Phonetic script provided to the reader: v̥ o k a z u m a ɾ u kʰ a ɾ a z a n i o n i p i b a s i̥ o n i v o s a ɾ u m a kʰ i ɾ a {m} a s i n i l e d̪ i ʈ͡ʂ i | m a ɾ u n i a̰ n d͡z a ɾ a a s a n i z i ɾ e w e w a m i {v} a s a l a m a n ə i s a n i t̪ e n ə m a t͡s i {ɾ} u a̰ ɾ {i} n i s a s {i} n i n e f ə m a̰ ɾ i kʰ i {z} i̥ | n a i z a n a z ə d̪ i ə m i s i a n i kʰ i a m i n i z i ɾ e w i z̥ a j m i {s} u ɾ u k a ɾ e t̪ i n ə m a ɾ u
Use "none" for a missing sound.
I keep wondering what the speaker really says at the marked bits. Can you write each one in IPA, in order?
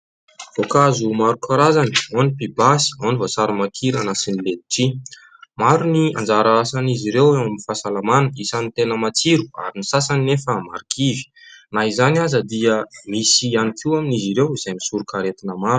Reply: n, f, ɾ, i, a, v, s

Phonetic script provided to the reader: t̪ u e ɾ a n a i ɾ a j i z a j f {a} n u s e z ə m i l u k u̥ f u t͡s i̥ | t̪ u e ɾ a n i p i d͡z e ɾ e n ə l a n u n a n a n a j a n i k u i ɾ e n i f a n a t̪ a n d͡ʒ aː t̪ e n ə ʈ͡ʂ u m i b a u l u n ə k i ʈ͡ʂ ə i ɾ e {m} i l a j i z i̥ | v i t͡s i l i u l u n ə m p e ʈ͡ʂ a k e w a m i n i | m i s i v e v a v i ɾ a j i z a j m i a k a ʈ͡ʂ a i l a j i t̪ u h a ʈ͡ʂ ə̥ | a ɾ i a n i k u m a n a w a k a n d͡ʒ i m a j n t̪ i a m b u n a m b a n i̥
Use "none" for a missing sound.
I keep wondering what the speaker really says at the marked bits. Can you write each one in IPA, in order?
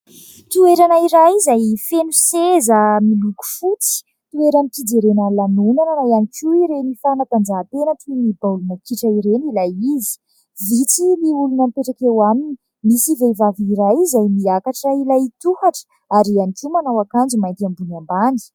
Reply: e, n

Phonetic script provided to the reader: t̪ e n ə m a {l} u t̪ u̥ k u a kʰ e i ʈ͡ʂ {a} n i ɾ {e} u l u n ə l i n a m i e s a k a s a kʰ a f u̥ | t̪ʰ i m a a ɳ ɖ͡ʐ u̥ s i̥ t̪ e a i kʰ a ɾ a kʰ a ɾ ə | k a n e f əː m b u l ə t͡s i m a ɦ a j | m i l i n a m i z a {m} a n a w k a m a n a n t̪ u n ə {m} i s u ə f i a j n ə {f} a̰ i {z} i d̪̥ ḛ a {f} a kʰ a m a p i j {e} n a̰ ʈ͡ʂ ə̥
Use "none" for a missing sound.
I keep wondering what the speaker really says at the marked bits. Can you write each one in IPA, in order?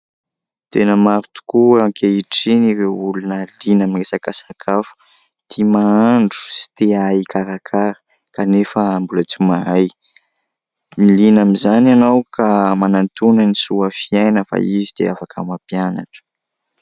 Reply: ɾ, i, e, n, n, f, z, f, a

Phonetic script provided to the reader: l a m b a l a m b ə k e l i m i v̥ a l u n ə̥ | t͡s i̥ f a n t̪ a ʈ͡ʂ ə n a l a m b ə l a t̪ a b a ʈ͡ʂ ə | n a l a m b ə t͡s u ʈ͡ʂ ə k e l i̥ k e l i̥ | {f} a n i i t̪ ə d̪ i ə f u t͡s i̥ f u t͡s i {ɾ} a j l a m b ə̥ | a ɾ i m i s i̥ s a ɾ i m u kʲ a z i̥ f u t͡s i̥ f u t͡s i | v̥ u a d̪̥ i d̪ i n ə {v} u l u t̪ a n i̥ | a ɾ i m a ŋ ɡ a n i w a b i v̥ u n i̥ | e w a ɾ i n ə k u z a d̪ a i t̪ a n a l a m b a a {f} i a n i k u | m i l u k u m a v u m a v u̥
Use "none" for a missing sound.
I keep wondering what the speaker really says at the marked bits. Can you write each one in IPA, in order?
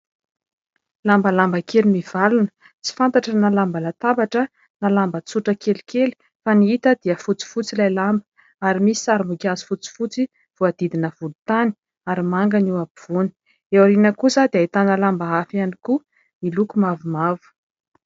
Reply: f, l, v, f

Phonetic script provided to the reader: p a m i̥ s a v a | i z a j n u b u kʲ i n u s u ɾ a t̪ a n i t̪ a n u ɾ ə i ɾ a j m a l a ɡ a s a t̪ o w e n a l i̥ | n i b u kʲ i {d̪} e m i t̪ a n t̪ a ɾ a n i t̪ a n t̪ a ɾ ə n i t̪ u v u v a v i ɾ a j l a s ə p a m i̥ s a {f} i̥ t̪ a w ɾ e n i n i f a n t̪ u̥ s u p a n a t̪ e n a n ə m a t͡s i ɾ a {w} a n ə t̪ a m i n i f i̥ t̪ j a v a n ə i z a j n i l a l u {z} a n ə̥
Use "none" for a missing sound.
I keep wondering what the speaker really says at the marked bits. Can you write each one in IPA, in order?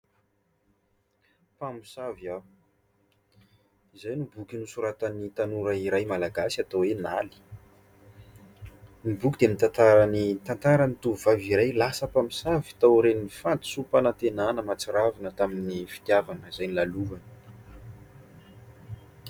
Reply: d̪, v, v, v

